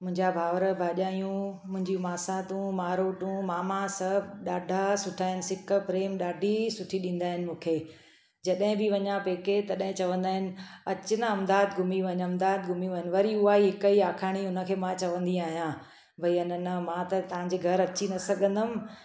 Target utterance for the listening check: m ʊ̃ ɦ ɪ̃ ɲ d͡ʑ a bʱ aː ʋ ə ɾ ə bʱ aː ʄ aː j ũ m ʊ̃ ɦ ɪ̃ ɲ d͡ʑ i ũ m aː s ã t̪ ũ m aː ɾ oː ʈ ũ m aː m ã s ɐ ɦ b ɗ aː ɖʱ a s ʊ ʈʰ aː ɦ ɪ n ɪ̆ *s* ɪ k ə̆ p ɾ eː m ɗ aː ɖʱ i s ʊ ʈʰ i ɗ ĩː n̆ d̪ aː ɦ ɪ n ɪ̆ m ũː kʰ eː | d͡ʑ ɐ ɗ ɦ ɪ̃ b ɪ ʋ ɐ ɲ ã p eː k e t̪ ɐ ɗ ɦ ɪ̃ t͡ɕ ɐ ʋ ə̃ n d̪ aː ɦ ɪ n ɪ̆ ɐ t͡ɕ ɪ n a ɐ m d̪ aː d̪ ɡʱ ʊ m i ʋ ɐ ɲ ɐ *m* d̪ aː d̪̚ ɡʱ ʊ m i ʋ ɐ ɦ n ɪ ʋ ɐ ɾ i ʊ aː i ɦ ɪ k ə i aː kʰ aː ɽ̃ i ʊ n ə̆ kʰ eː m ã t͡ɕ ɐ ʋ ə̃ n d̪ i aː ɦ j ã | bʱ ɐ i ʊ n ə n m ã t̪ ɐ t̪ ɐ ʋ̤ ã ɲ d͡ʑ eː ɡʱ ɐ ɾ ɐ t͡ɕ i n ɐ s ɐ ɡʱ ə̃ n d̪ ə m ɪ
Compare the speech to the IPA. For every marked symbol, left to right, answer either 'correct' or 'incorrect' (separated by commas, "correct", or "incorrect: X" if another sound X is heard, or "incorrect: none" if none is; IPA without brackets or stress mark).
correct, correct